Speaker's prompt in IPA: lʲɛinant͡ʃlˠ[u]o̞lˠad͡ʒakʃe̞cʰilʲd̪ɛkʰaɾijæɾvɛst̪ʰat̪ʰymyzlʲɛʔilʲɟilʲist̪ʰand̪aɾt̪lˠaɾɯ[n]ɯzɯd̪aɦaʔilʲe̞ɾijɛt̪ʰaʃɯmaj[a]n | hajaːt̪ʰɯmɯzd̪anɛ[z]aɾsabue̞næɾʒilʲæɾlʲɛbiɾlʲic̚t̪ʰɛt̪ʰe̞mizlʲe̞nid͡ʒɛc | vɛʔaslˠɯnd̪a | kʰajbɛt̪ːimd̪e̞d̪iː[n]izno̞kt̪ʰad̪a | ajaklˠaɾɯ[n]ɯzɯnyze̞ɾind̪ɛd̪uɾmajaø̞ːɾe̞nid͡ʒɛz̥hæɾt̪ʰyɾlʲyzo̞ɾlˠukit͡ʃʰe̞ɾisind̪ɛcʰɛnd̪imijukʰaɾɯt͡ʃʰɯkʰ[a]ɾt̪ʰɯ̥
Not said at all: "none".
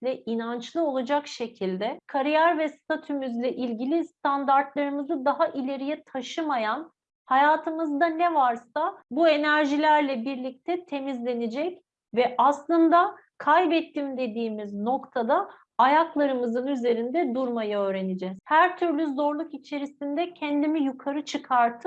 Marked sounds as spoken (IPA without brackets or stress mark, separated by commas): ɯ, m, a, v, m, m, a